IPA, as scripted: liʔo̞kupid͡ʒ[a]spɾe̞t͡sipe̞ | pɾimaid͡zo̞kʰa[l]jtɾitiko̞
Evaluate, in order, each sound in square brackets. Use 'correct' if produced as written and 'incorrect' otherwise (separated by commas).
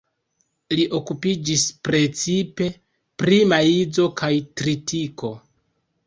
incorrect, incorrect